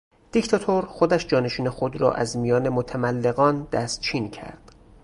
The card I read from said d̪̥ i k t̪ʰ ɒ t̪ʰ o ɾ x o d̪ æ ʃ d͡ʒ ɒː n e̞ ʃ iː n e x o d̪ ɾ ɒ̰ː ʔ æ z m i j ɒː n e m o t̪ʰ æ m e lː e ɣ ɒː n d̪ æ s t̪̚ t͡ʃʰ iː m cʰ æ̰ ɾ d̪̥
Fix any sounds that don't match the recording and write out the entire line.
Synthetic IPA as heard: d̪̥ i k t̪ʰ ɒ t̪ʰ o ɾ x o d̪ æ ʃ d͡ʒ ɒː n e̞ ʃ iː n e x o d̪ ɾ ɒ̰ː ʔ æ z m i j ɒː n e m o t̪ʰ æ m æ lː e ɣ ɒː n d̪ æ s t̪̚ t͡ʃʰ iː n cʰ æ̰ ɾ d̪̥